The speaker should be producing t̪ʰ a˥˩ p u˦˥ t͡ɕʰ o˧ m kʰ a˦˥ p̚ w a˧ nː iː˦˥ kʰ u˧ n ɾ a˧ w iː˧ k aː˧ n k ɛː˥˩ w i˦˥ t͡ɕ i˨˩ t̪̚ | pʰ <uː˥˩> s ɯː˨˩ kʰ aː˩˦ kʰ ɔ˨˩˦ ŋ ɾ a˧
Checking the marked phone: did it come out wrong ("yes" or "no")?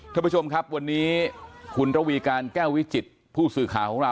no